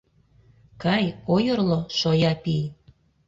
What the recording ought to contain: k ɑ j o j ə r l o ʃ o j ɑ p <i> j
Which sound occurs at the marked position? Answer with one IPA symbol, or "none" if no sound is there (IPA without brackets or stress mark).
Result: i